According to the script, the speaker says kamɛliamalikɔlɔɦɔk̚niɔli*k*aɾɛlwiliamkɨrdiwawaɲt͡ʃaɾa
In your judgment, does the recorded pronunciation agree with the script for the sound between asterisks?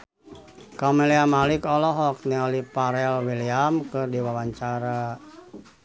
no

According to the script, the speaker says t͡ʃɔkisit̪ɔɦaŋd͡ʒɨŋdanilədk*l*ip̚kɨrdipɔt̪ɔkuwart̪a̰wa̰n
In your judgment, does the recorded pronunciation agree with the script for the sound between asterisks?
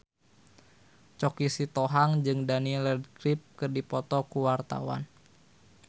no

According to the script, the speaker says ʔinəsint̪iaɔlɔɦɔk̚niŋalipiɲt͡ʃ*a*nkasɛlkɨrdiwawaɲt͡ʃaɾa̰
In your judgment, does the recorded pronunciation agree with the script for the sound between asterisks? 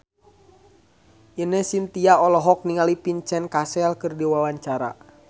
no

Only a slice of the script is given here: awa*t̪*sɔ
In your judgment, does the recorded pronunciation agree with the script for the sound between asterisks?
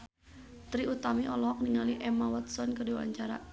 yes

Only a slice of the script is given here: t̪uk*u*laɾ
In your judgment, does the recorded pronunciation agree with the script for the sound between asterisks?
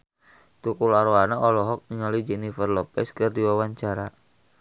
yes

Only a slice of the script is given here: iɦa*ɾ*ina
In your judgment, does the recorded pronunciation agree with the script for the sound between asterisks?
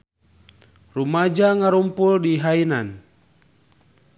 no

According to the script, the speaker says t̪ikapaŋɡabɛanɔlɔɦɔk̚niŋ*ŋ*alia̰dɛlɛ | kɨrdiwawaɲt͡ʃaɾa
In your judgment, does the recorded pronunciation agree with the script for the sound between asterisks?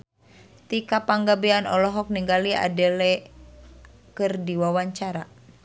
no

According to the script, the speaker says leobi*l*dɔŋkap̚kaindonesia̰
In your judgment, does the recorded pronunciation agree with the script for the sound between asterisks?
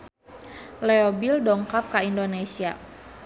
yes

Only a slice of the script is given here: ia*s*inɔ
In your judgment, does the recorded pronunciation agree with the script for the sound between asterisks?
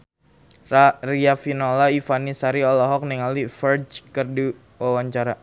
no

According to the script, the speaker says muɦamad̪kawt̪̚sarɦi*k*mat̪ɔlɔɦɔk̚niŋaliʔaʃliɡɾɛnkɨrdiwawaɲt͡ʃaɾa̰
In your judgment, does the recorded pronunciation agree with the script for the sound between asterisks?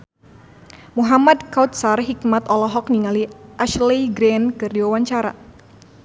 yes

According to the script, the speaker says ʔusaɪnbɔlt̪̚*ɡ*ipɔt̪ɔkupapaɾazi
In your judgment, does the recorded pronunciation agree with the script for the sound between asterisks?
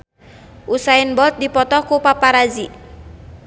no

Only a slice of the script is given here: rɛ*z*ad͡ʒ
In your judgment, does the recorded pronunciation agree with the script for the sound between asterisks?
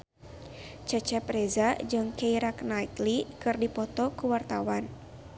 yes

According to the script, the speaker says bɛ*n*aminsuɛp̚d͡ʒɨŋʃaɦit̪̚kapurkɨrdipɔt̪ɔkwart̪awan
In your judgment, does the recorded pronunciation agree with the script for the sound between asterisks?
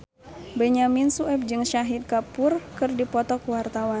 no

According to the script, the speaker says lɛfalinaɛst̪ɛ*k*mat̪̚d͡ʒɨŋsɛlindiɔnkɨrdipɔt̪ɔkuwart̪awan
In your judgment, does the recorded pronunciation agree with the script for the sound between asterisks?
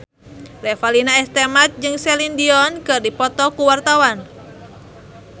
no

